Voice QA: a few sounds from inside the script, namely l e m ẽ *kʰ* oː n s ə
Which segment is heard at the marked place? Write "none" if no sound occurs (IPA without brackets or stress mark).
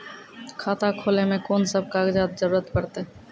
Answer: k